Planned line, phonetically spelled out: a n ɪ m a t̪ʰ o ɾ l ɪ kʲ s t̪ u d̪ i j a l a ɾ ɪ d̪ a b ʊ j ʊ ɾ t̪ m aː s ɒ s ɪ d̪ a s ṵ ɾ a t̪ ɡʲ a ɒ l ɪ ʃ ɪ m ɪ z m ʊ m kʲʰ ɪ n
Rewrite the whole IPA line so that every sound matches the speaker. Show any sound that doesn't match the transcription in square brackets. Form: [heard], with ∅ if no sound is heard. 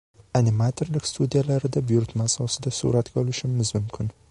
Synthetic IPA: a n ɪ m a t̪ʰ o ɾ l ɪ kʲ s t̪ u d̪ i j a l a ɾ ɪ d̪ a b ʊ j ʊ ɾ t̪ m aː s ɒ s ɪ d̪ a s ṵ ɾ a t̪ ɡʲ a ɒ l ɪ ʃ ɪ m ɪ z m ʊ m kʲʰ ɪ n